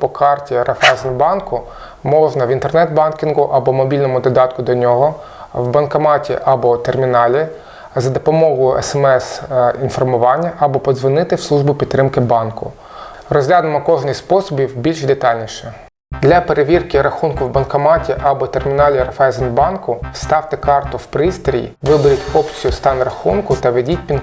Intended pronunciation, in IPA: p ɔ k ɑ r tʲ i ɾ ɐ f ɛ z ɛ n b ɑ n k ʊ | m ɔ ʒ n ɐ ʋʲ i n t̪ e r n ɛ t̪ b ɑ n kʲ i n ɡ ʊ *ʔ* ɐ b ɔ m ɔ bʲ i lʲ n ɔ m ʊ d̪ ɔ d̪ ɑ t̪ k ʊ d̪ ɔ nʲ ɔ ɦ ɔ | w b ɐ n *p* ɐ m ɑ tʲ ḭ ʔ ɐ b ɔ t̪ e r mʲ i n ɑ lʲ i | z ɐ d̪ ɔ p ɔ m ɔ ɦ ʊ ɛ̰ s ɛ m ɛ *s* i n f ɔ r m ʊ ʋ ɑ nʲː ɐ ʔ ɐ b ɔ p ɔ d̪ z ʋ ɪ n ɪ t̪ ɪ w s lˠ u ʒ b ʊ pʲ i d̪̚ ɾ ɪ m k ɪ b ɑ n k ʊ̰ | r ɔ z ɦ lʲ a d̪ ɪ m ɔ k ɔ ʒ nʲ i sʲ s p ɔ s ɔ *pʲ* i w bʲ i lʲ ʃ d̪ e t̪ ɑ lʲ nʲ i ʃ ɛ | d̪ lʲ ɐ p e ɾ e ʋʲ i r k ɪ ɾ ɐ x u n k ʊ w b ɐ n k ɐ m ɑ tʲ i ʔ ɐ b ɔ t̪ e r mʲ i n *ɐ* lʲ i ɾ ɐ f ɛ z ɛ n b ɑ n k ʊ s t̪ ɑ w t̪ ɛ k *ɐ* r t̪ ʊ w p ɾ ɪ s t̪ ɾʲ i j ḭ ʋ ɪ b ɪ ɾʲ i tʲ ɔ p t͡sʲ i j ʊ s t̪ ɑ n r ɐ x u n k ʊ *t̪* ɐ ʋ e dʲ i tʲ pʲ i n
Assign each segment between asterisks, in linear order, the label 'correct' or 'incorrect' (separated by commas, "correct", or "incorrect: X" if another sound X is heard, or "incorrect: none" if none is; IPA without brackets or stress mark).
correct, incorrect: k, correct, incorrect: bʲ, incorrect: ɑ, incorrect: ɑ, correct